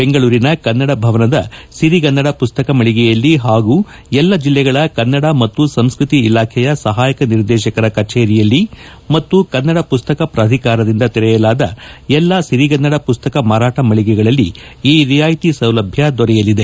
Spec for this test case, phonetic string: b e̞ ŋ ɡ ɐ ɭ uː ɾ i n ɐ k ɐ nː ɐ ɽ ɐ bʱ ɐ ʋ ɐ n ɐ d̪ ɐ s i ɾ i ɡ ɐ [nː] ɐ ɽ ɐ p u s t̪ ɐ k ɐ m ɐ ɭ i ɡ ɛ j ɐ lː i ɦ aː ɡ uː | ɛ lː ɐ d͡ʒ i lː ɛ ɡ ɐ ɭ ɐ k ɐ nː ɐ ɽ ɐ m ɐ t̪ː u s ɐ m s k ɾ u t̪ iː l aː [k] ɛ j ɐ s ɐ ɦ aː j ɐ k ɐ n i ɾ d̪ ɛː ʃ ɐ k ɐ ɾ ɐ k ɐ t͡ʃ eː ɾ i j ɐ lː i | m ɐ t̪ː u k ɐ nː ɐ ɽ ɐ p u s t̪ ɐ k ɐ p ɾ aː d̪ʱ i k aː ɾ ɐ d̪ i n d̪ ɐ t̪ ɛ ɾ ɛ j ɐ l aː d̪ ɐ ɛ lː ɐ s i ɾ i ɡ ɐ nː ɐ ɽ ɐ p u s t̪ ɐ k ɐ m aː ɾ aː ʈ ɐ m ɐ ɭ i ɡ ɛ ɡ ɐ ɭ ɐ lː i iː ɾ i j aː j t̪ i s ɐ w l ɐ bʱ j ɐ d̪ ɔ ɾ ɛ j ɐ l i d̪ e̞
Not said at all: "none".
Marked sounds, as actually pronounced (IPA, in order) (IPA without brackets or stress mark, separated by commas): nː, kʰ